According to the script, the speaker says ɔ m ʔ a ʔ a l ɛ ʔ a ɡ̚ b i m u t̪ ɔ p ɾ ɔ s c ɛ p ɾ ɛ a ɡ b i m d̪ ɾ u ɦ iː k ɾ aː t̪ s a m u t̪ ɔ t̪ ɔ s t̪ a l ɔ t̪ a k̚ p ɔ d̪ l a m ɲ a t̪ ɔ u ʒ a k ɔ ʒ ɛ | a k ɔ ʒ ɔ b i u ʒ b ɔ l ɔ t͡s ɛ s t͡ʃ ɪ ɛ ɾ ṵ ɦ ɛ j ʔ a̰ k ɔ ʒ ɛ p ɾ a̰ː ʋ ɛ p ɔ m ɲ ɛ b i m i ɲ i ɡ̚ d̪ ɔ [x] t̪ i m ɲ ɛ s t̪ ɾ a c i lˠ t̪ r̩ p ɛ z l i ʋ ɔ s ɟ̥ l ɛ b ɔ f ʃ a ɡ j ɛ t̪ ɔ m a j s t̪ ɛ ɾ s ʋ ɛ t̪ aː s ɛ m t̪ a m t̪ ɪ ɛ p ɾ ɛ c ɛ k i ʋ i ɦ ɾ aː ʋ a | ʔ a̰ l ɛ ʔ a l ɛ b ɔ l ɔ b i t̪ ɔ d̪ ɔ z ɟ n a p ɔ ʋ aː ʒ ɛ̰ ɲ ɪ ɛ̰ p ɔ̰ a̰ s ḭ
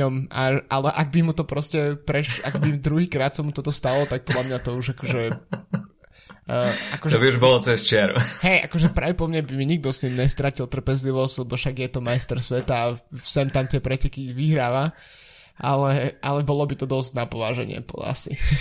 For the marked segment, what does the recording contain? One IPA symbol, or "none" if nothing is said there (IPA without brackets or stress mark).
s